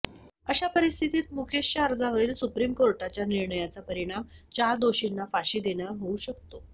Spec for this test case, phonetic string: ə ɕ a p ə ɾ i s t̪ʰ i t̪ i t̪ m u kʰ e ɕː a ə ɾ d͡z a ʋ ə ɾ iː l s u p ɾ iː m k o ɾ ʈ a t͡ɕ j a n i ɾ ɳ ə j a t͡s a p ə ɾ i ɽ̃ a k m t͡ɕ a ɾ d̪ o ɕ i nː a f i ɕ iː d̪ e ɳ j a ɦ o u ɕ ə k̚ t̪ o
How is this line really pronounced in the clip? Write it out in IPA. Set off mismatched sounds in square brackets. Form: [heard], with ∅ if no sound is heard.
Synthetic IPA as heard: ə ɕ a p ə ɾ i s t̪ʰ i t̪ [iː] t̪ m u kʰ e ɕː a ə ɾ d͡z a ʋ ə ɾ iː l s u p ɾ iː m k o ɾ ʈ a t͡ɕ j a n i ɾ ɳ ə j a t͡s a p ə ɾ i ɽ̃ a [∅] m t͡ɕ a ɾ d̪ o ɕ i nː a f [a] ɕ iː d̪ e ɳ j a ɦ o u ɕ ə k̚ t̪ o